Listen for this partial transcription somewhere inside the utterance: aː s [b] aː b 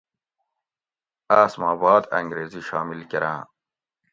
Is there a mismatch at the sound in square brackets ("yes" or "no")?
yes